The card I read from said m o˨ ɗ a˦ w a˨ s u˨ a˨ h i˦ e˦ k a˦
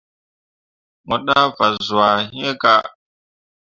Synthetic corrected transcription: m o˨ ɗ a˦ v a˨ z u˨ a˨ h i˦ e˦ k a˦